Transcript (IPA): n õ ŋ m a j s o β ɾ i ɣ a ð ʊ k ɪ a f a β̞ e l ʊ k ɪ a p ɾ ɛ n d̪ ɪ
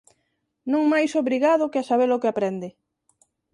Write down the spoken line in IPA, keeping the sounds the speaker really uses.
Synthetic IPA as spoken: n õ ŋ m a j s o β ɾ i ɣ a ð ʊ k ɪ a s a β̞ e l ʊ k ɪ a p ɾ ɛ n d̪ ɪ